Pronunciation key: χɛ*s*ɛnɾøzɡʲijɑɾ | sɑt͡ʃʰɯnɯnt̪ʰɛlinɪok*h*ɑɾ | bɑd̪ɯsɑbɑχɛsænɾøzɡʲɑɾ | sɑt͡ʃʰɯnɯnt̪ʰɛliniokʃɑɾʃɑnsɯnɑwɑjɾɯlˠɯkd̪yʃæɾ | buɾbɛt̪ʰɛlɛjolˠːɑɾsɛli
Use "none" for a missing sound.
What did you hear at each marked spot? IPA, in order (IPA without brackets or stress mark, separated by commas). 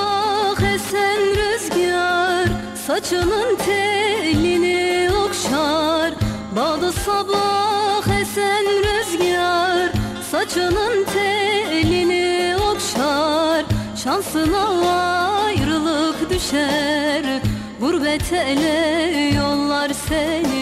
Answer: s, ʃ